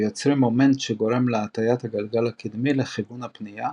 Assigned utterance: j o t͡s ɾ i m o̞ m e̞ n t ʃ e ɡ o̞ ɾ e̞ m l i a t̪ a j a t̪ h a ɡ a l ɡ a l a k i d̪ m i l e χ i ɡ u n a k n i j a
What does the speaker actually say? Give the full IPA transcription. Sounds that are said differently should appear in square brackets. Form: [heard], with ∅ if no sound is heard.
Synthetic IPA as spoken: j o t͡s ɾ i m o̞ m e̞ n t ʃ e ɡ o̞ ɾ e̞ m l [e] a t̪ a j a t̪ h a ɡ a l ɡ a l a k i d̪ m i l e χ i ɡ u n a [p] n i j a